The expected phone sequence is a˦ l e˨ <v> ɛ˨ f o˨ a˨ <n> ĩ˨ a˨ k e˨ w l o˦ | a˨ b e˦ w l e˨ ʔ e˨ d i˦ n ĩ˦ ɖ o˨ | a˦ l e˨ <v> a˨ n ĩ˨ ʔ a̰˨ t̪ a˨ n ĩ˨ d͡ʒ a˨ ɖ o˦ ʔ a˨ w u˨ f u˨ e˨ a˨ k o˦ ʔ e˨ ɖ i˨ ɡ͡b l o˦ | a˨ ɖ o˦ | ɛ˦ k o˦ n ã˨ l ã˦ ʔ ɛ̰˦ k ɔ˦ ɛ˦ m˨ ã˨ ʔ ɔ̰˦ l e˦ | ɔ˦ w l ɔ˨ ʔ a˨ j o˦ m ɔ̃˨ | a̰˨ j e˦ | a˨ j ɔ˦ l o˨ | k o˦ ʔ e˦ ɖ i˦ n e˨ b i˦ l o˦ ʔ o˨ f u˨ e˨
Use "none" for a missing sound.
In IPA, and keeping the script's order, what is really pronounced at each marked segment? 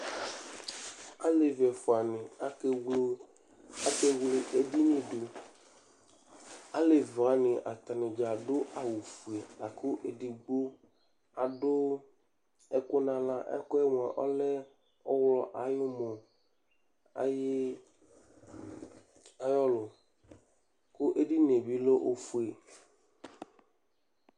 v, n, v

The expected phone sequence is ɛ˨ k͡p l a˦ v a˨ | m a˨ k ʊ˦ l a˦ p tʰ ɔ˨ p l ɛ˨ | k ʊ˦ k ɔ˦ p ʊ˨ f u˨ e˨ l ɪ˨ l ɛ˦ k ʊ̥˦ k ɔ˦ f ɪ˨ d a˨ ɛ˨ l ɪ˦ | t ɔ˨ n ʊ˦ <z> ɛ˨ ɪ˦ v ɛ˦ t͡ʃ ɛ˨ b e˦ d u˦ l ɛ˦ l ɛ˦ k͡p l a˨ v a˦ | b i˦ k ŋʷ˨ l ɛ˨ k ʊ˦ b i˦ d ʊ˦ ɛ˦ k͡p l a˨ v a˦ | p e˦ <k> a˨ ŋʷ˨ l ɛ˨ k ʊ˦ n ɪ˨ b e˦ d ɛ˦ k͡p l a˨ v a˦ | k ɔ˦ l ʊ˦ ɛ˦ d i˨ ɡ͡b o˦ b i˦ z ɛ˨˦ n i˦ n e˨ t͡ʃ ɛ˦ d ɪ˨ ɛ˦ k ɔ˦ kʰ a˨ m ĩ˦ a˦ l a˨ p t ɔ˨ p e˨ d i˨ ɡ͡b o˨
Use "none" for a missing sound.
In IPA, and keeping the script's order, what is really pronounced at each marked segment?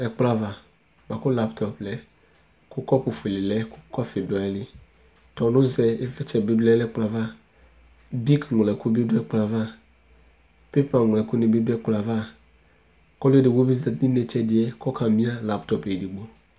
z, p

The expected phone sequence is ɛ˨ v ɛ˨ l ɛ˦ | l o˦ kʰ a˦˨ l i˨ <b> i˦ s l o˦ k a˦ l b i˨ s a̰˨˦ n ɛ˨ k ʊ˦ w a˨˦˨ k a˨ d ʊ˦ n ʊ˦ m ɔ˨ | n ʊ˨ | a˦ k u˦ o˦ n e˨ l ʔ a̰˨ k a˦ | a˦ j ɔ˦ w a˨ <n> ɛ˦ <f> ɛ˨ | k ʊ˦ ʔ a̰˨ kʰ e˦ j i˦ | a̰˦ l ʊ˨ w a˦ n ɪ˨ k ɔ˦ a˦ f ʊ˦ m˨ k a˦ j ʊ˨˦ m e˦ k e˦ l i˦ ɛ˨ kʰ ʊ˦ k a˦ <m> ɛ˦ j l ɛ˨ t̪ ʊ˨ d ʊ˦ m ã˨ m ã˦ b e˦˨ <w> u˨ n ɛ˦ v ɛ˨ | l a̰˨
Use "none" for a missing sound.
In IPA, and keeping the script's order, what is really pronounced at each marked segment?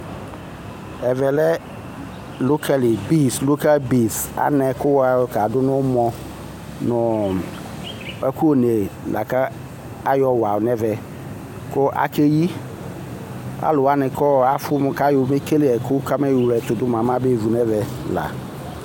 b, n, v, m, v

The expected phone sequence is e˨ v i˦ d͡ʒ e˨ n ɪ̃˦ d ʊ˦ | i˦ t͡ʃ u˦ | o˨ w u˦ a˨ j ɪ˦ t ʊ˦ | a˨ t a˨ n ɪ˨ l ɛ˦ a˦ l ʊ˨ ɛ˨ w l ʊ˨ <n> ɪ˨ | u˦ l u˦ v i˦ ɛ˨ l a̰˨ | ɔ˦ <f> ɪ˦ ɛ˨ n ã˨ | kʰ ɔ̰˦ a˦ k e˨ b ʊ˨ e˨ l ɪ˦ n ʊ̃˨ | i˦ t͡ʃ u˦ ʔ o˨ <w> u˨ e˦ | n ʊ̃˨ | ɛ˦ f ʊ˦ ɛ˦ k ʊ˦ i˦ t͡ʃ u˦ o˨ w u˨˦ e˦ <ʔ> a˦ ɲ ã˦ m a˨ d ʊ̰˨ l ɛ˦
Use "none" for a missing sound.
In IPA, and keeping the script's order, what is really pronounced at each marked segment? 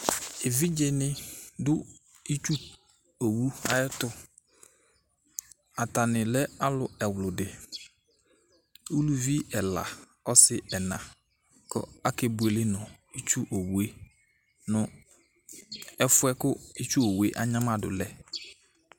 d, s, w, ʔ

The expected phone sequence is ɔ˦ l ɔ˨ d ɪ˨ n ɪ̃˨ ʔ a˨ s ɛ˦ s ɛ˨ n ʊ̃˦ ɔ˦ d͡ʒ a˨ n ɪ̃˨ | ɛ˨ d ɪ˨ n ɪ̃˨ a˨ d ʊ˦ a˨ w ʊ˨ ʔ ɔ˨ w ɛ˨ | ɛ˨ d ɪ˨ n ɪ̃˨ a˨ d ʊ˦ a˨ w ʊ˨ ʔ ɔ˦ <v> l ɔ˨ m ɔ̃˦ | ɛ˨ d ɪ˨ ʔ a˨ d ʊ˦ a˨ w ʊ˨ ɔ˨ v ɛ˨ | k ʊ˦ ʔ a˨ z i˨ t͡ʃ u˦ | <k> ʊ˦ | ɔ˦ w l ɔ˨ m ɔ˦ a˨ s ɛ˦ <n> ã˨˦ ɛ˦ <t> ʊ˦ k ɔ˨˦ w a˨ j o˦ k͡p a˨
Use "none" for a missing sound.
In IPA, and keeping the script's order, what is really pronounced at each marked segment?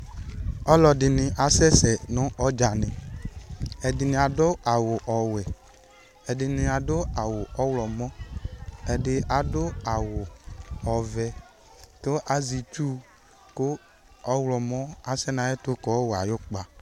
w, k, n, t

